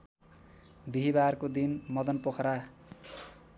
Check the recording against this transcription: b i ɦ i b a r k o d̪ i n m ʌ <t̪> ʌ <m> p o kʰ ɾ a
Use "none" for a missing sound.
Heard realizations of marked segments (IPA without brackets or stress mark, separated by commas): d̪, n